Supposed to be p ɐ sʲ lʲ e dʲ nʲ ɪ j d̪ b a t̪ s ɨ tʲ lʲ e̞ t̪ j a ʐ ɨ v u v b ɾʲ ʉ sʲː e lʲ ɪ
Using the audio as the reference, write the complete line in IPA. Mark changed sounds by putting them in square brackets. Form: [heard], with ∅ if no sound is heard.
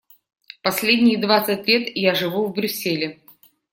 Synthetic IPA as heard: p ɐ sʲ lʲ e dʲ nʲ ɪ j d̪ [v] a t̪ s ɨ tʲ lʲ e̞ t̪ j a ʐ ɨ v u v b ɾʲ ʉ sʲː e lʲ ɪ

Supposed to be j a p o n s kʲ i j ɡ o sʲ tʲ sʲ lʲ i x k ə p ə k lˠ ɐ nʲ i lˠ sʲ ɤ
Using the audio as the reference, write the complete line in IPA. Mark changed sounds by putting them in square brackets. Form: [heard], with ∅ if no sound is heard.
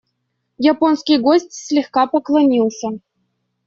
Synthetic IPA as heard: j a p o n s kʲ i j ɡ o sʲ tʲ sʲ lʲ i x k [ɑ] p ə k lˠ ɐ nʲ i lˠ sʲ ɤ

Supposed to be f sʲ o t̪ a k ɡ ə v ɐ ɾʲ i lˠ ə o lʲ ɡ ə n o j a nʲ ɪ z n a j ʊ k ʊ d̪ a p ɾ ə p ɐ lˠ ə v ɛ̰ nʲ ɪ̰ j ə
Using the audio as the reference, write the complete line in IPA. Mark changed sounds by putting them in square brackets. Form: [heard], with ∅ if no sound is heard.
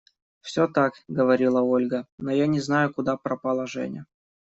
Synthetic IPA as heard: f sʲ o t̪ a k ɡ ə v ɐ ɾʲ i lˠ ə o lʲ ɡ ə n o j a nʲ ɪ z n a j ʊ k ʊ d̪ a p ɾ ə p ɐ lˠ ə [ʐ] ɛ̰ nʲ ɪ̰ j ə

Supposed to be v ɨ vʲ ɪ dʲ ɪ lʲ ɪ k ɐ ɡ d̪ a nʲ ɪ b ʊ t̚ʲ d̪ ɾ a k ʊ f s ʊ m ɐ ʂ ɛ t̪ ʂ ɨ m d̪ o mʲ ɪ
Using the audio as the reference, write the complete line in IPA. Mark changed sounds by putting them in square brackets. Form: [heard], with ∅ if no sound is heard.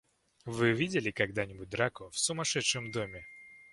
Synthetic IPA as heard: v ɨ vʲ [i] dʲ ɪ lʲ ɪ k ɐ ɡ d̪ a nʲ ɪ b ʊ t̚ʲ d̪ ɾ a k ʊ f s ʊ m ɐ ʂ ɛ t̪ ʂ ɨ m d̪ o mʲ ɪ

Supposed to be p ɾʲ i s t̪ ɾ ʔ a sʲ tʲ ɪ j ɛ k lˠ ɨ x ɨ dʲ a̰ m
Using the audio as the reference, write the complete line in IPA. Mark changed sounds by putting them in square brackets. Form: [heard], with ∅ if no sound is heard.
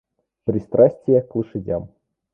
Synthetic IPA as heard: p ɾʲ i s t̪ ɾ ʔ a sʲ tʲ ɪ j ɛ k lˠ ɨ [ʂ] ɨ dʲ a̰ m

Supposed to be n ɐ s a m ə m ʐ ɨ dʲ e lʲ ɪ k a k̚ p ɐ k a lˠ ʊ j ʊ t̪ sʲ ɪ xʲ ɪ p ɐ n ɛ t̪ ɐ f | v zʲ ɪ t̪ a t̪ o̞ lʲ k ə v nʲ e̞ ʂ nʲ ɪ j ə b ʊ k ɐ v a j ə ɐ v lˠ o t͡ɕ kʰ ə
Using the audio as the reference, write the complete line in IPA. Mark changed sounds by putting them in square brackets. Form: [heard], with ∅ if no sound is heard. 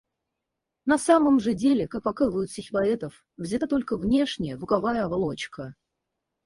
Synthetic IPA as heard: n ɐ s a m ə m ʐ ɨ dʲ e lʲ ɪ k a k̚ p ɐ k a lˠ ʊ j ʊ t̪ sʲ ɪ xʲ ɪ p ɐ [∅] ɛ t̪ [ə] f | v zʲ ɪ t̪ a t̪ o̞ lʲ k ə v nʲ e̞ ʂ nʲ ɪ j ə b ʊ k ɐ v a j ə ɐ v lˠ o t͡ɕ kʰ ə

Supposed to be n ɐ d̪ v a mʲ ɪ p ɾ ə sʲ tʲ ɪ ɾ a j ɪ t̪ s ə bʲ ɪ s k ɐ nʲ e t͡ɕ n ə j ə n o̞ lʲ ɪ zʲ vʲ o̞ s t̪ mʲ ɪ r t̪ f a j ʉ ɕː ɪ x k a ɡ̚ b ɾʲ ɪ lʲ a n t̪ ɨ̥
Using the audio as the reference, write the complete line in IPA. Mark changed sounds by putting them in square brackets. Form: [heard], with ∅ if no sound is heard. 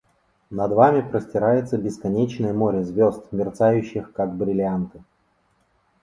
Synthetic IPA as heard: n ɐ d̪ v a mʲ ɪ p ɾ ə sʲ tʲ ɪ ɾ a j ɪ t̪ s ə bʲ ɪ s k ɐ nʲ e t͡ɕ n ə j ə [m] o̞ [ɾʲ] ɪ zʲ vʲ o̞ s t̪ mʲ ɪ r t̪ [s] a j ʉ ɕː ɪ x k a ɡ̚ b ɾʲ ɪ lʲ a n t̪ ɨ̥

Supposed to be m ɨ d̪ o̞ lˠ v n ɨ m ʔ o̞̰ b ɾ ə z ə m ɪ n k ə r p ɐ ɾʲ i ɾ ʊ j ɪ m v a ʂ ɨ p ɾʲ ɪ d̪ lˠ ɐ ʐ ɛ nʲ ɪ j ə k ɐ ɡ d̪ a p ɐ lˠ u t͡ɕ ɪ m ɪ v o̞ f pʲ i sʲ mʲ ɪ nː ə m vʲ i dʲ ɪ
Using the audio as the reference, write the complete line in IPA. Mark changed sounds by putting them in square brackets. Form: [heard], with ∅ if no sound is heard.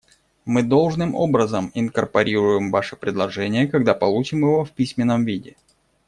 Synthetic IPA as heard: m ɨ d̪ o̞ lˠ [ʐ] n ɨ m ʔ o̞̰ b ɾ ə z ə m ɪ n k ə r p ɐ ɾʲ i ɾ ʊ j ɪ m v a ʂ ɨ p ɾʲ ɪ d̪ lˠ ɐ ʐ ɛ nʲ ɪ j ə k ɐ ɡ d̪ a p ɐ lˠ u t͡ɕ ɪ m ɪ v o̞ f pʲ i sʲ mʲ ɪ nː ə m vʲ i dʲ ɪ

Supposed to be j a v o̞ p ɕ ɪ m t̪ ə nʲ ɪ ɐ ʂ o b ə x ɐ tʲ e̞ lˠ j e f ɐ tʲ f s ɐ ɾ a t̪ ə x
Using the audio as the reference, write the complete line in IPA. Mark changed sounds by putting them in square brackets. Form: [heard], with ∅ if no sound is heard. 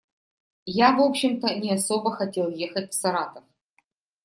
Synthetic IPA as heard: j a v o̞ p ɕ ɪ m t̪ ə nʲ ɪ ɐ [s] o b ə x ɐ tʲ e̞ lˠ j e [x] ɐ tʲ f s ɐ ɾ a t̪ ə [f]

